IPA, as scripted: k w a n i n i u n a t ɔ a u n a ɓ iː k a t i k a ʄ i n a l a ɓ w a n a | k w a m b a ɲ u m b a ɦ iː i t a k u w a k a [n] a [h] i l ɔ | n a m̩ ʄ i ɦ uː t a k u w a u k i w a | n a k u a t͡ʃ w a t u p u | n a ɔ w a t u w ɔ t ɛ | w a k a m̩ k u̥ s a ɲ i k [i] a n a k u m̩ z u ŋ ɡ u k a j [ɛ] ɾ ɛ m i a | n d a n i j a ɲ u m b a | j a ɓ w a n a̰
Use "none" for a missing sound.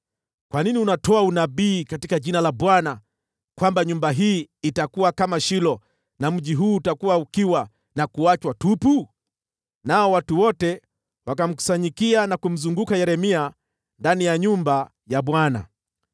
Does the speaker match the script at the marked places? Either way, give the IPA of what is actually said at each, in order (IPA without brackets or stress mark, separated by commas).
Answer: m, ʃ, i, ɛ